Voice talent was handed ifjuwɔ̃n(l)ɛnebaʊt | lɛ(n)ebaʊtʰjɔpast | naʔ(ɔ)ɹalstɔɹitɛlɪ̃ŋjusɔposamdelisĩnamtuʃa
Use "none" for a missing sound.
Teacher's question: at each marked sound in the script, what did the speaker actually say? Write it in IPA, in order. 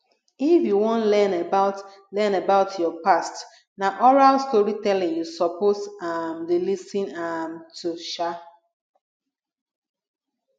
l, n, ɔ

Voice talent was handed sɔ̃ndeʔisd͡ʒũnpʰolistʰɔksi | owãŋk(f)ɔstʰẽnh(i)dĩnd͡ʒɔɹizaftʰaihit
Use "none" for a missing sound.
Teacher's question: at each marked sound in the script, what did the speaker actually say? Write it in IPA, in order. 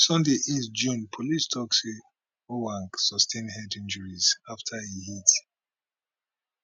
s, ɛ

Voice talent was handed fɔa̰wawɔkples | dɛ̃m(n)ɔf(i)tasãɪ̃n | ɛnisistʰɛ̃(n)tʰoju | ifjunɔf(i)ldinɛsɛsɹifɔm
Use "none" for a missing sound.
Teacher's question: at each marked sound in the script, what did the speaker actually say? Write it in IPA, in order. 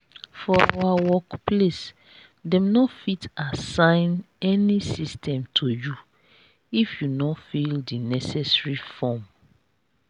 n, i, m, i

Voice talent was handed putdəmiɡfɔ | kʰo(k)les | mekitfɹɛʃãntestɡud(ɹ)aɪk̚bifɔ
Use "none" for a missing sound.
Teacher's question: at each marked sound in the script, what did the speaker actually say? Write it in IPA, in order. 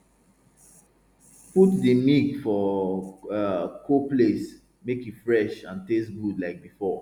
p, l

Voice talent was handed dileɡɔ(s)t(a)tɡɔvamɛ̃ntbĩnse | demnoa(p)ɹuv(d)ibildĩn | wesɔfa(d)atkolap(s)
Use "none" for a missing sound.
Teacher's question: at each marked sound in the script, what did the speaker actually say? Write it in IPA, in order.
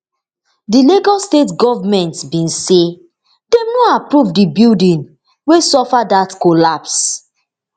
s, e, p, d, d, s

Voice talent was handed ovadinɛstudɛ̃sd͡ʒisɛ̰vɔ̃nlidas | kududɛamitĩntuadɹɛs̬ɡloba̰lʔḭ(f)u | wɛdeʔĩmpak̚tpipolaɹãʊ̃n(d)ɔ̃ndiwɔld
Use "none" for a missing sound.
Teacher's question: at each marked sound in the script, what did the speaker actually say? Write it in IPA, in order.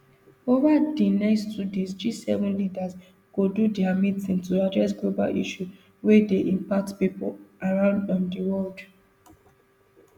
ʃ, d

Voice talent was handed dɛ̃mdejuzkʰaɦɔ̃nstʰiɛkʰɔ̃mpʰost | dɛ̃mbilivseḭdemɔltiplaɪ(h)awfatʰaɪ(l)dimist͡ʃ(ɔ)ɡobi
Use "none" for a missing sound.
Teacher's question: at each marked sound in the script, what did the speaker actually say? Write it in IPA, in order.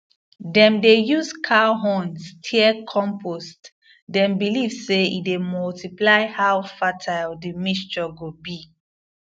h, l, ɔ

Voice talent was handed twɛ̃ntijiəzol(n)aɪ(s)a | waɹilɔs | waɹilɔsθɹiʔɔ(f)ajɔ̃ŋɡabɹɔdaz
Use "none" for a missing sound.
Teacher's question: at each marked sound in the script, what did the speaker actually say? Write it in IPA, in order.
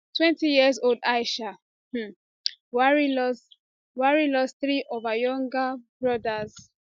d, ʃ, v

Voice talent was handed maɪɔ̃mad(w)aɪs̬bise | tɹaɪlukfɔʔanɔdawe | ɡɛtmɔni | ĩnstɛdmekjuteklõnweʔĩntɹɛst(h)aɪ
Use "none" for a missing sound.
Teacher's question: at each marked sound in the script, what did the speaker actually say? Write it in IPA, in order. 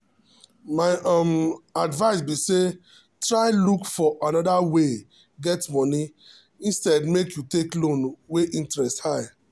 v, h

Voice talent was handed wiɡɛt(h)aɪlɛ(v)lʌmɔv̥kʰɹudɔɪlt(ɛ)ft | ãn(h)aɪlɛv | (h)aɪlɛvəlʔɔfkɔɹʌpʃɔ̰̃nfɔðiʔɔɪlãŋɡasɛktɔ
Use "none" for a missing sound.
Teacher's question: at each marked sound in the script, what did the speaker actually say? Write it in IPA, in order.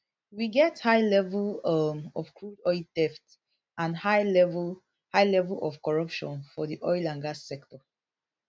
h, v, ɛ, h, h

